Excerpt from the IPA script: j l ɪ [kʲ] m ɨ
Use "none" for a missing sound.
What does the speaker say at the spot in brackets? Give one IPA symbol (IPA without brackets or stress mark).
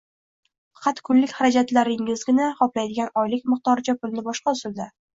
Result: kʲ